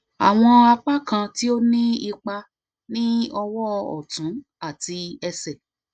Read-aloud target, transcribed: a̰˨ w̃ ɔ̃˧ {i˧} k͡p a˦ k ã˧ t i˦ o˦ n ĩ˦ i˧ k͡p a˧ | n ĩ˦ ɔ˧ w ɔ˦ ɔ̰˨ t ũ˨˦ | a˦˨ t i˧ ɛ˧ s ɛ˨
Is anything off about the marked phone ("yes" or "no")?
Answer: yes